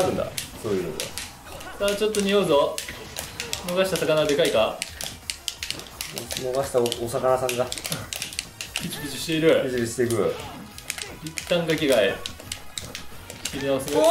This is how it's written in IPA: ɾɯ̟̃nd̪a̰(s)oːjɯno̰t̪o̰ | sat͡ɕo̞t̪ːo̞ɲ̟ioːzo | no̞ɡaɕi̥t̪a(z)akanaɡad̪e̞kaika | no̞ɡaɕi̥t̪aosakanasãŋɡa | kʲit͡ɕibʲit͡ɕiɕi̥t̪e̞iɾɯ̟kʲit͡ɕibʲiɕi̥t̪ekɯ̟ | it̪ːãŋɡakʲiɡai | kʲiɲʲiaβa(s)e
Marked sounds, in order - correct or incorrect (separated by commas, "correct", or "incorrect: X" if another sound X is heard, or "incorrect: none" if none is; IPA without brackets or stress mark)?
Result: correct, incorrect: s, correct